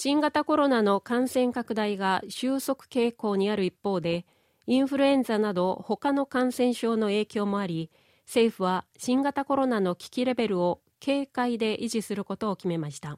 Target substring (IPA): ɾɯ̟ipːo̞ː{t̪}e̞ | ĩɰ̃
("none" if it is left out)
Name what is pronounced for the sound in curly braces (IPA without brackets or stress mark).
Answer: d̪